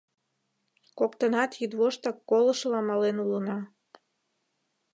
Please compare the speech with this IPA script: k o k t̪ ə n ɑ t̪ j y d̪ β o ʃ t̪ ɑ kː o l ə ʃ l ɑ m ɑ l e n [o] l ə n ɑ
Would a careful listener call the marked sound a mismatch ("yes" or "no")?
yes